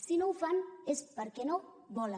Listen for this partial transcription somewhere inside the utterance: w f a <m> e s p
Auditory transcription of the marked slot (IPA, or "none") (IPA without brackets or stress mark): n